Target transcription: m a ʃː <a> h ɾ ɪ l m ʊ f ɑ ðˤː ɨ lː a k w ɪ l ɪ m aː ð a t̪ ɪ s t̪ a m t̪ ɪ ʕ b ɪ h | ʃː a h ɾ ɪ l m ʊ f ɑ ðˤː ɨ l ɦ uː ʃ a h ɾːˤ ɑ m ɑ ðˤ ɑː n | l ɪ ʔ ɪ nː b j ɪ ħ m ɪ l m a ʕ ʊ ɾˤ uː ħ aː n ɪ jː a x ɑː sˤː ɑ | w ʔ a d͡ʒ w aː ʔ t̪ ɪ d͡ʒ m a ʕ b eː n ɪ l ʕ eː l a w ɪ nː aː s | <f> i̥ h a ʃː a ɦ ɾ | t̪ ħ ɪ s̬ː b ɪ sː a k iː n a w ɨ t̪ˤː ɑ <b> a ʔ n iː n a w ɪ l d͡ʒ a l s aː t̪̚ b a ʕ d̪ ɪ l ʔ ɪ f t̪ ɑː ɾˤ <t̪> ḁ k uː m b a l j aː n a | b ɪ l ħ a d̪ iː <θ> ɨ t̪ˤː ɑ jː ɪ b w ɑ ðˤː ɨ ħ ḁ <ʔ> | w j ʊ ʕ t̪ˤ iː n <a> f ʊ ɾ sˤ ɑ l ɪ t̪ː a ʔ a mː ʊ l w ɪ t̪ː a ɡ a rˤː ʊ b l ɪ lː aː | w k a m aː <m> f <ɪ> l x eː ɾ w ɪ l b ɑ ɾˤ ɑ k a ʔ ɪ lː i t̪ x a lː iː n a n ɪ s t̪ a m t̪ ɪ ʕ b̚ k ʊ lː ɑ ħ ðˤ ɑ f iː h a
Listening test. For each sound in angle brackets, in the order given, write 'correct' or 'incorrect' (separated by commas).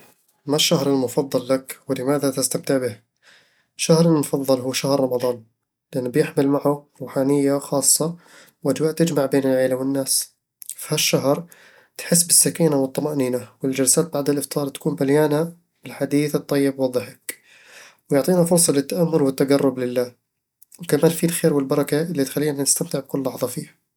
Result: correct, correct, incorrect, correct, correct, incorrect, correct, incorrect, incorrect